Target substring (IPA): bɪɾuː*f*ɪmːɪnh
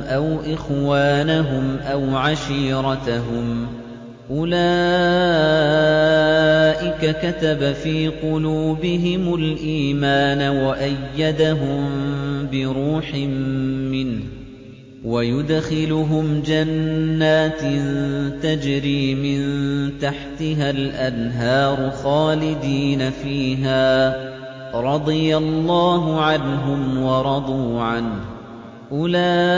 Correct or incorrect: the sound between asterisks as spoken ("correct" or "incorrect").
incorrect